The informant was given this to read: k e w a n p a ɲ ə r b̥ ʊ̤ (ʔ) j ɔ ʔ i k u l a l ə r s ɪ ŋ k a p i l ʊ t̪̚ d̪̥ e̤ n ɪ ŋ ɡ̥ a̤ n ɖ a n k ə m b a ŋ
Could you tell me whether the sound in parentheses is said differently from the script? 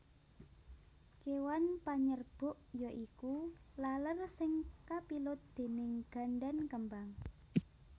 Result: no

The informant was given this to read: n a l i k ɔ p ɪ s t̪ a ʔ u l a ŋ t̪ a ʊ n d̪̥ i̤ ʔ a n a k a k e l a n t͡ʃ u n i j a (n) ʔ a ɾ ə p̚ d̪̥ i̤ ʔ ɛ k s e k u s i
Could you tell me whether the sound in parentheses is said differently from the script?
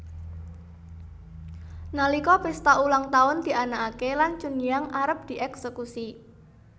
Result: yes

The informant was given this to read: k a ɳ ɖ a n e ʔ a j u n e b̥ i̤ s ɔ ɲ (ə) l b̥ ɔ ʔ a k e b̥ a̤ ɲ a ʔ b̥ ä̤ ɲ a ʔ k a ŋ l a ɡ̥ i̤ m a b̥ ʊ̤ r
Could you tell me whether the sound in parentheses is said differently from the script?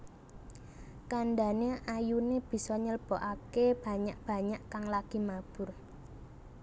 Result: no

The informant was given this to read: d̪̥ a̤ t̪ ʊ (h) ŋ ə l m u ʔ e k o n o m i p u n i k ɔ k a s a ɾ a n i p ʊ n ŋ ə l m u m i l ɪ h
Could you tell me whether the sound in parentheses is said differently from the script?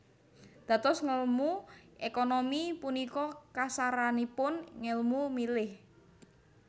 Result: yes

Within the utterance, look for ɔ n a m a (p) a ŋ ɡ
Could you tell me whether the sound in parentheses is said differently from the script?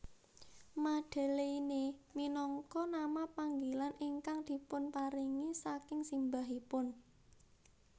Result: no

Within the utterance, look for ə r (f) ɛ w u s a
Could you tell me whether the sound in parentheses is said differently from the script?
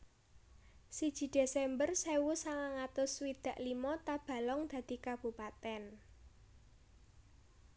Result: yes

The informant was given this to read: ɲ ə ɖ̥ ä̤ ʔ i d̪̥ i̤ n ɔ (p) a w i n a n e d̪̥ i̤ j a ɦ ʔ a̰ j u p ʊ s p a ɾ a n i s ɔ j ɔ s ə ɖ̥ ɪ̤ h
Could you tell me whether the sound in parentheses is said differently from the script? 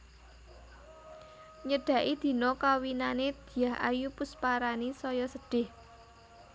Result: yes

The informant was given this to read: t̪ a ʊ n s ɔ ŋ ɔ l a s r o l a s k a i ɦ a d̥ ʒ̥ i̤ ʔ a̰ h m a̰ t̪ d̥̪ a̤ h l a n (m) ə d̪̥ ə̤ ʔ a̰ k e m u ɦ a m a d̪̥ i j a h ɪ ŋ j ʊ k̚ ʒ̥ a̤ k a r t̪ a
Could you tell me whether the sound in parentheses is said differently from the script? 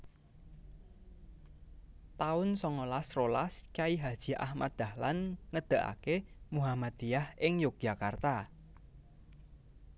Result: yes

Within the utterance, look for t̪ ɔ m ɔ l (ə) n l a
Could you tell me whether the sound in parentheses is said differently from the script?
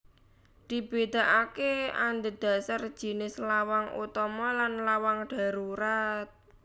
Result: yes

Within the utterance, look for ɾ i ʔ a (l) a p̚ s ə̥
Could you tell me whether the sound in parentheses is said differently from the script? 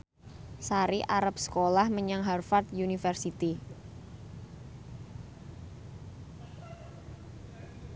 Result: yes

